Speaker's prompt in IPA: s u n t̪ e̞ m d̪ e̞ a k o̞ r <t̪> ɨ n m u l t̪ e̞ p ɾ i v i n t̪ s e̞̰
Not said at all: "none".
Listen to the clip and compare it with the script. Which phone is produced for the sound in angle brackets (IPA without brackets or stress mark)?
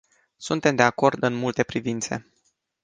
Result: d̪